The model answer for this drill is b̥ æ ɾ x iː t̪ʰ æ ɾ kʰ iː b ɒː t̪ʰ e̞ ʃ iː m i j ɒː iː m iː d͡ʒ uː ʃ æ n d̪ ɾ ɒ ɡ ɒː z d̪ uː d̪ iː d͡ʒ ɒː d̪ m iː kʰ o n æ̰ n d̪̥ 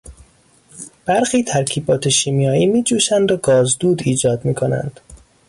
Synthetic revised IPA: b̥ æ ɾ x iː t̪ʰ æ ɾ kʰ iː b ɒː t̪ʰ e̞ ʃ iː m i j ɒː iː m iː d͡ʒ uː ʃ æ n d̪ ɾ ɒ ɡ ɒː z d̪ uː d̪ iː d͡ʒ ɒː d̪ m iː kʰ o n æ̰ n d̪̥